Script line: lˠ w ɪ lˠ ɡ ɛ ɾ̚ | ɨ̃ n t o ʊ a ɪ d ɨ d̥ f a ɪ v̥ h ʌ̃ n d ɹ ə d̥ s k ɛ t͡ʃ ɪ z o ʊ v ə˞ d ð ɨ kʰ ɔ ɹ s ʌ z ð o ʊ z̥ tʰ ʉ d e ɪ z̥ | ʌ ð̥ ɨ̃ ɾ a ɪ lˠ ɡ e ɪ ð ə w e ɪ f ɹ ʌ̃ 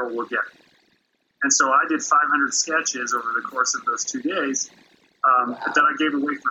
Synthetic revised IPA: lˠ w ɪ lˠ ɡ ɛ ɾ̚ | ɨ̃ n s o ʊ a ɪ d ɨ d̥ f a ɪ v̥ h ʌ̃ n d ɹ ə d̥ s k ɛ t͡ʃ ɪ z o ʊ v ə˞ ð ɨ kʰ ɔ ɹ s ʌ v ð o ʊ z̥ tʰ ʉ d e ɪ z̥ | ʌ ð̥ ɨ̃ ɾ a ɪ ɡ e ɪ v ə w e ɪ f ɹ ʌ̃